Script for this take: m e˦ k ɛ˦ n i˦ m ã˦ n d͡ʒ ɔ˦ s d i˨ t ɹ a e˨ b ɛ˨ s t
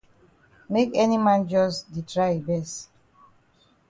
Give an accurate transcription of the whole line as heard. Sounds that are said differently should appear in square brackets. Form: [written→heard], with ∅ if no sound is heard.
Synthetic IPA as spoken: m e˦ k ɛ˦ n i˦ m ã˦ n d͡ʒ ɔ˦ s d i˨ t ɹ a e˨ b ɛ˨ s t